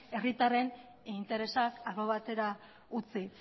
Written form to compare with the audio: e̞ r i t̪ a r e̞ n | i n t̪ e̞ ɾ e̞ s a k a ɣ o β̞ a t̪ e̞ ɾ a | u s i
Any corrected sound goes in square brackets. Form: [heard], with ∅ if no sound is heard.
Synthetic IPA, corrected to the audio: e̞ r i t̪ a r e̞ n | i n t̪ e̞ ɾ e̞ s a k a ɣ o β̞ a t̪ e̞ ɾ a | u [t͡s] i